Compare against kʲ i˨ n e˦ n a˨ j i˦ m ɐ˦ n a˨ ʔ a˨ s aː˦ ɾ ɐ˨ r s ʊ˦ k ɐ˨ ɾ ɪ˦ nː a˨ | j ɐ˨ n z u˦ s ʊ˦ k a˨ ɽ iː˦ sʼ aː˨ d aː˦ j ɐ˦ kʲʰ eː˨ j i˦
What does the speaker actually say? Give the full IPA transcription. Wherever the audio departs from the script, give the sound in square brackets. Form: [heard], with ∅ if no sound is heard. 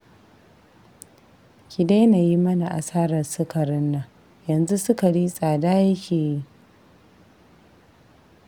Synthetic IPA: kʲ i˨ [d] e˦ n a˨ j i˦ m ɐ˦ n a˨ ʔ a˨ s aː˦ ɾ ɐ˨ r s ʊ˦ k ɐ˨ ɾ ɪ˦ nː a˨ | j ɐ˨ n z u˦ s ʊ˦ k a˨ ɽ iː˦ sʼ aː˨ d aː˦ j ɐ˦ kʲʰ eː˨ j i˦